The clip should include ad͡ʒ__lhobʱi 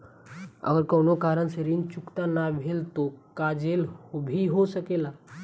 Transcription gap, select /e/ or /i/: e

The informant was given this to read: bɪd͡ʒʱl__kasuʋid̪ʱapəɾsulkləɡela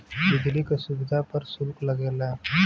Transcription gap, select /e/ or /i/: i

